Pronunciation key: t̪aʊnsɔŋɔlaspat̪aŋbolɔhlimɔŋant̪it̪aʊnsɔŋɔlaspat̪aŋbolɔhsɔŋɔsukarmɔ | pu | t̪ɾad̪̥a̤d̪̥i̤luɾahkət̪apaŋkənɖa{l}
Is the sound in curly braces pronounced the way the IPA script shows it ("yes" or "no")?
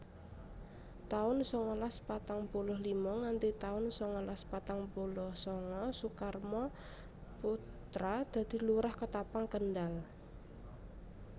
yes